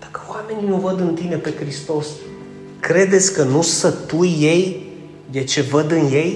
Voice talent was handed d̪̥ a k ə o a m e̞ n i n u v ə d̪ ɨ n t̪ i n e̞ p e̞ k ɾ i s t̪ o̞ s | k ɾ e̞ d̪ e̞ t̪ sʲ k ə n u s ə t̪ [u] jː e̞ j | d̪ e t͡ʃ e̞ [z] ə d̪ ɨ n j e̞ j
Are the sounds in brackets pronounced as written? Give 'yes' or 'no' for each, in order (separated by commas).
yes, no